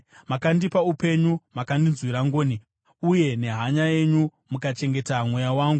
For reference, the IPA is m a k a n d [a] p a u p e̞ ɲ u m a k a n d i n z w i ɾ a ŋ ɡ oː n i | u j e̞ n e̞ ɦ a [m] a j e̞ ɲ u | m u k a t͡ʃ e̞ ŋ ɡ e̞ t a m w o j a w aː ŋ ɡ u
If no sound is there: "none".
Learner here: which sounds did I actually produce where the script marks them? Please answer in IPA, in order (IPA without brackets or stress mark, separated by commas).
i, ɲ